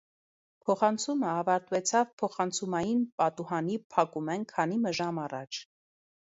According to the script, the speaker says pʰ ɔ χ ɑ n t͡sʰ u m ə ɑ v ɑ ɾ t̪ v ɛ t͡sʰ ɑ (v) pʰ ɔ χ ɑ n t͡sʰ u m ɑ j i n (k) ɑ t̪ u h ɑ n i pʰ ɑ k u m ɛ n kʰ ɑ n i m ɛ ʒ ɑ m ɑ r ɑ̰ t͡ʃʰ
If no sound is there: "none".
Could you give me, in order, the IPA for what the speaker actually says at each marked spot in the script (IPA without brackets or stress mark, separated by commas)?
v, p